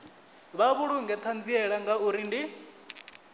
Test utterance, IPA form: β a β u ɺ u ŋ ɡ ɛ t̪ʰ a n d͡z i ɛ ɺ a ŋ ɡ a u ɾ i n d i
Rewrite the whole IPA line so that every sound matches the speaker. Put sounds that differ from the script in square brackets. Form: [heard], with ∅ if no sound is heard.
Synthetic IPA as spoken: β a β u ɺ u ŋ ɡ ɛ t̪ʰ a n d͡z i ɛ ɺ a ŋ ɡ a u ɾ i n d i